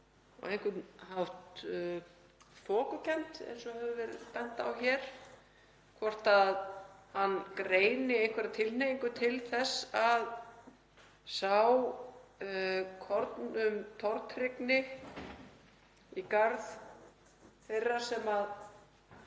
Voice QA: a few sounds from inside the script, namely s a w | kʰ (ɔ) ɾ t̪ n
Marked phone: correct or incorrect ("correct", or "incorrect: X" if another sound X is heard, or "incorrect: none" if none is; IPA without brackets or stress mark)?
correct